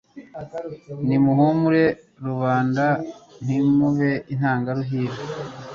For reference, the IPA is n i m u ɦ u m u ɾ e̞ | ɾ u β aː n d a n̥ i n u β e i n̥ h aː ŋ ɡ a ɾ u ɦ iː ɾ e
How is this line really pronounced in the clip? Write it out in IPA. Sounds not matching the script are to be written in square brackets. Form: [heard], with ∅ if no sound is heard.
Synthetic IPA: n i m u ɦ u m u ɾ e̞ | ɾ u β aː n d a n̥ i [m] u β e i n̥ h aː ŋ ɡ a ɾ u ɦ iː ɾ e